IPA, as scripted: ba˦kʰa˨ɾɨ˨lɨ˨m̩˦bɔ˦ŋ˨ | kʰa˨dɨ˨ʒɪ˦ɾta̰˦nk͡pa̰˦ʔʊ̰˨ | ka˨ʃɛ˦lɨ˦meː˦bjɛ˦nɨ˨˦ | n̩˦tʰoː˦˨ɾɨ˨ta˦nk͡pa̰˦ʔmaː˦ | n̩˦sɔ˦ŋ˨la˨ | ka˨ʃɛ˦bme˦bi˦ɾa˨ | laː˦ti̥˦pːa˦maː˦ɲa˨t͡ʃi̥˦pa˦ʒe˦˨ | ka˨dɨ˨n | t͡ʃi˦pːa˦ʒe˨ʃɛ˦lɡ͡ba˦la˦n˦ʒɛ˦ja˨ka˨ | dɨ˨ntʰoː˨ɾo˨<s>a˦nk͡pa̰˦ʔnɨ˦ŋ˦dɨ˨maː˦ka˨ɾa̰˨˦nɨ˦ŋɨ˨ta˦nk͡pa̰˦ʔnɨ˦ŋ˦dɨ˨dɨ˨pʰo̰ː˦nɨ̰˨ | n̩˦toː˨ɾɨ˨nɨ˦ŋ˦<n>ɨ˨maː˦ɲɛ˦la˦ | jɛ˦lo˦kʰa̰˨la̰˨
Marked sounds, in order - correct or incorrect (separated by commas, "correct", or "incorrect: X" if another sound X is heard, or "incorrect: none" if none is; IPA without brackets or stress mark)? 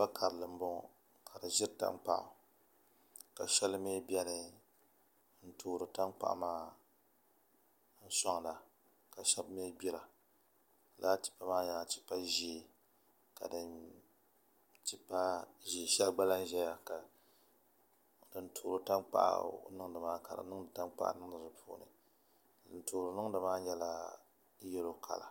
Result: incorrect: t, incorrect: d